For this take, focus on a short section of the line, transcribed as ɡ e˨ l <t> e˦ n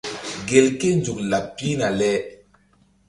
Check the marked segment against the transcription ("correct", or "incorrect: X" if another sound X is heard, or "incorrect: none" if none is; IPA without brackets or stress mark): incorrect: k